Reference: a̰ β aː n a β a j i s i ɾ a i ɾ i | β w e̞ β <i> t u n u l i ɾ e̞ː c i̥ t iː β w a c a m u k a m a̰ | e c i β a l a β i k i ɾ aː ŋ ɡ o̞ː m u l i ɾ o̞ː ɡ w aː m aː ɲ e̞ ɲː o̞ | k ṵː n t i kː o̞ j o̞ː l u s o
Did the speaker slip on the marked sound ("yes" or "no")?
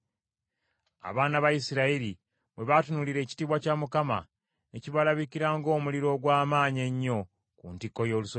yes